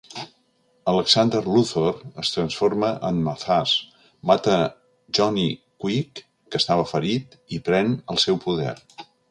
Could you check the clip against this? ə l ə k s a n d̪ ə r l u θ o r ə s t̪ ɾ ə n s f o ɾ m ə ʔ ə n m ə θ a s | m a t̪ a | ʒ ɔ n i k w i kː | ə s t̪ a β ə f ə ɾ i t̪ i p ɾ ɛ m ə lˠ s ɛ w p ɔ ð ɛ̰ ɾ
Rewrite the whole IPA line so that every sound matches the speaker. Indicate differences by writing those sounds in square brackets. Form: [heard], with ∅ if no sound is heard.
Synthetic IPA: ə l ə k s a n d̪ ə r l u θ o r ə s t̪ ɾ ə n s f o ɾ m ə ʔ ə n m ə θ a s | m a t̪ [ə] | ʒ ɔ n i k w i kː | ə s t̪ a β ə f ə ɾ i t̪ i p ɾ ɛ [n] ə lˠ s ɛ w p [u] ð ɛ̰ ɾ